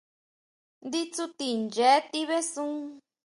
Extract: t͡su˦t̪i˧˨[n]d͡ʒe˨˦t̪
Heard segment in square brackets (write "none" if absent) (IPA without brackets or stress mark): n